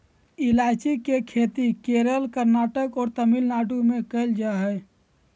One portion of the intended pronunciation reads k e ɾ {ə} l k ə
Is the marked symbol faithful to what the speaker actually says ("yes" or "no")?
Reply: yes